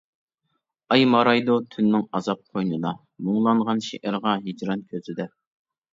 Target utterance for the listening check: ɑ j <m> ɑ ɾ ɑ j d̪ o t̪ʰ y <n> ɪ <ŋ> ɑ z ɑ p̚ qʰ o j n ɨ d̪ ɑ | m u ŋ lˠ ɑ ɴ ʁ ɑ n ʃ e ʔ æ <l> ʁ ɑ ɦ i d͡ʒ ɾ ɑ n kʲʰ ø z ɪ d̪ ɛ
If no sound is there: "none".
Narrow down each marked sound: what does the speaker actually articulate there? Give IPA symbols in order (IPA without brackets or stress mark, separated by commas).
m, nː, ŋ, ɾ